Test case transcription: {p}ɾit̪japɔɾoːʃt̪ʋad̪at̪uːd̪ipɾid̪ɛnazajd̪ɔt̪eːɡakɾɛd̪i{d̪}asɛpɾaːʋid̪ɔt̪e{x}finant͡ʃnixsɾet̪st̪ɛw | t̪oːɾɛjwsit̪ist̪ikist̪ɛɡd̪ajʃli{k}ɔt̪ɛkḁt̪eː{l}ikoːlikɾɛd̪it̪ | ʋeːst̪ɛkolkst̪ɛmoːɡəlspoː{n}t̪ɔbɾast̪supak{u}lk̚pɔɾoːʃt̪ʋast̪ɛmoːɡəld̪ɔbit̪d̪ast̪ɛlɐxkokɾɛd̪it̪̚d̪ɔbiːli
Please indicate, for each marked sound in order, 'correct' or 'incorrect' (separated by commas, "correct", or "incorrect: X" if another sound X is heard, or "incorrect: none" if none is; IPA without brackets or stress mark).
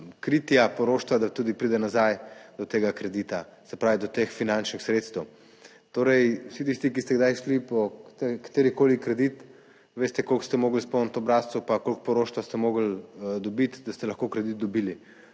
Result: incorrect: k, incorrect: t̪, correct, incorrect: p, incorrect: ɾ, correct, incorrect: o